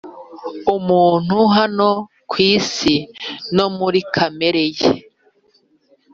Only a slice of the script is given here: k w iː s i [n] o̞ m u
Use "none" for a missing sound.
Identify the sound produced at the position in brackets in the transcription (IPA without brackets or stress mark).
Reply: n